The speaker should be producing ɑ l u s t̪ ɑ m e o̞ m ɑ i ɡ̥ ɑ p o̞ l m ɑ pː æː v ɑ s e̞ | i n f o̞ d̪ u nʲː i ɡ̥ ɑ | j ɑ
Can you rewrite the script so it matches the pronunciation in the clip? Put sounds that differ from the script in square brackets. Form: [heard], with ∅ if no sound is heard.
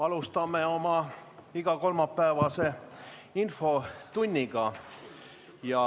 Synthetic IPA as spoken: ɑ l u s t̪ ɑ m e o̞ m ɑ i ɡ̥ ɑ [k] o̞ l m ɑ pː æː v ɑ s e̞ | i n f o̞ [t̪] u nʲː i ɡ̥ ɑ | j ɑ